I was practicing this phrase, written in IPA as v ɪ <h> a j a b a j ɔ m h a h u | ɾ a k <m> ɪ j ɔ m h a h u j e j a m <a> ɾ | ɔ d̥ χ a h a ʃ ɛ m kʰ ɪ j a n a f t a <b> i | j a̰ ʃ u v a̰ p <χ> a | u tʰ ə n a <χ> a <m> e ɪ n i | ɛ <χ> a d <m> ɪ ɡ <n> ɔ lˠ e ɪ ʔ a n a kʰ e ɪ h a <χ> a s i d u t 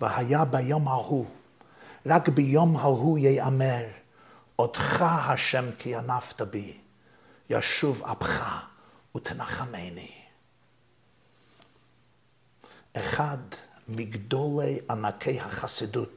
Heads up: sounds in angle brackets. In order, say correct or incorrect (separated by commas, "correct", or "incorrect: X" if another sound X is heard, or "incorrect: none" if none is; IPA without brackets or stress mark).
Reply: correct, incorrect: b, incorrect: ɛ, correct, correct, correct, correct, correct, correct, incorrect: d, correct